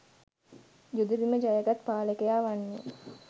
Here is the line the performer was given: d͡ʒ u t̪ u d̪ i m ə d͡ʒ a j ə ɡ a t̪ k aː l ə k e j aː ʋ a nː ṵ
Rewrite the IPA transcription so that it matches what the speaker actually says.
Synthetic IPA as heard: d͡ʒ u d̪ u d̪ i m ə d͡ʒ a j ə ɡ a t̪ p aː l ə k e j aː ʋ a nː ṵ